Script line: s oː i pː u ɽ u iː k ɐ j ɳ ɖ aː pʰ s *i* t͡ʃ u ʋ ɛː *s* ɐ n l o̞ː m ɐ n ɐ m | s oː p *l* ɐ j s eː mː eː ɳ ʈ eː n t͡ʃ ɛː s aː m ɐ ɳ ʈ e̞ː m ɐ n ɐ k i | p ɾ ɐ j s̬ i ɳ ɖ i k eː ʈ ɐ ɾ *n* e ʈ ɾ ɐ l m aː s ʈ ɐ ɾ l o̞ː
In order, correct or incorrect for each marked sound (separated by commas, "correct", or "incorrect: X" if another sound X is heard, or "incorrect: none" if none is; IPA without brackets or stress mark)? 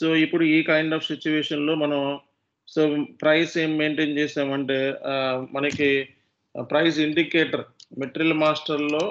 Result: correct, incorrect: ʂ, incorrect: ɾ, incorrect: m